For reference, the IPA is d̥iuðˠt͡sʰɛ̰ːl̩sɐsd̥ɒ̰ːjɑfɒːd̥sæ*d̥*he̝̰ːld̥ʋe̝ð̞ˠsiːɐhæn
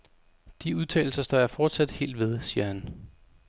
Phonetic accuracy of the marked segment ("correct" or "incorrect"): correct